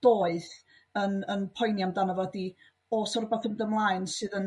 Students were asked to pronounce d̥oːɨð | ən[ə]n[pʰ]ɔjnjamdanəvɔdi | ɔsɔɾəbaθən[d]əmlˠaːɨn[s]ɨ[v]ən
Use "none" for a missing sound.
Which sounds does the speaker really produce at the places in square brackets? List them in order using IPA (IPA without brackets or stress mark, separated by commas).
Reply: ə, pʰ, d, s, ð